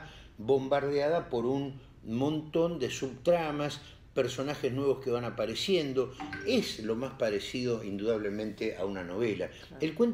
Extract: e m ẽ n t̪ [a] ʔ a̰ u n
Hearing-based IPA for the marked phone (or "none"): e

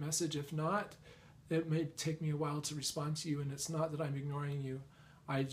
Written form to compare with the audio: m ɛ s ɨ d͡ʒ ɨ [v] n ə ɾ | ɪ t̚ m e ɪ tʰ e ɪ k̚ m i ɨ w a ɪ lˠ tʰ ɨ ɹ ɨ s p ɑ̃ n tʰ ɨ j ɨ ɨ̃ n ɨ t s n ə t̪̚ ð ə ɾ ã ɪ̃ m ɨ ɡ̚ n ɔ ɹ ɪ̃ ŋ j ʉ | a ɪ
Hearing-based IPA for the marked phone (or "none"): f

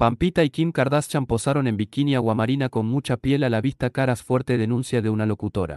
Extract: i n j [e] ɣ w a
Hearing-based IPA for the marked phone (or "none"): a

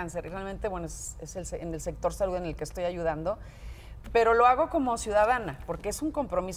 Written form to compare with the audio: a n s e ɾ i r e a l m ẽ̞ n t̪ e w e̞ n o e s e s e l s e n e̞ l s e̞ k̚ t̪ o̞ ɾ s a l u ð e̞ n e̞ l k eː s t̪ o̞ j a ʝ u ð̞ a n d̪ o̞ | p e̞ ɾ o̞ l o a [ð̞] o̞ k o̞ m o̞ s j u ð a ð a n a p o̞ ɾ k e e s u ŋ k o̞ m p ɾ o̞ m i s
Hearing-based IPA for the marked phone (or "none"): ɣ̞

